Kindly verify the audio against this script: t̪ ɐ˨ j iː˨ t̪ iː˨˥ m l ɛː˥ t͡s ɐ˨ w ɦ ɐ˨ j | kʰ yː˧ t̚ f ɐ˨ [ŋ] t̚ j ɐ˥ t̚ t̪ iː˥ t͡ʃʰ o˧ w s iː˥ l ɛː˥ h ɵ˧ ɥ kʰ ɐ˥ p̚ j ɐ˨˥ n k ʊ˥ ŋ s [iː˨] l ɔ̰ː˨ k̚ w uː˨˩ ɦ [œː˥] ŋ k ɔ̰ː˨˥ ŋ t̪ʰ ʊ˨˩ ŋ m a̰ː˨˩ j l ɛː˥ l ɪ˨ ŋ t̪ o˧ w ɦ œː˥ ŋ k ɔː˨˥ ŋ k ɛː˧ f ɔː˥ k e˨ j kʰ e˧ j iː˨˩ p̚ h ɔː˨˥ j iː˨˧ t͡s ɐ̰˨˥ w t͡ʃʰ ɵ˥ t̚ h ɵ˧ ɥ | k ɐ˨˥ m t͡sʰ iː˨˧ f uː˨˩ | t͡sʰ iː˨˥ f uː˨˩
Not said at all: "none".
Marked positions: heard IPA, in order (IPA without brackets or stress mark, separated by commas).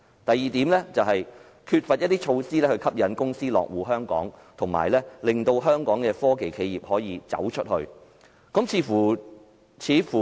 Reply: none, iː˥, œː˥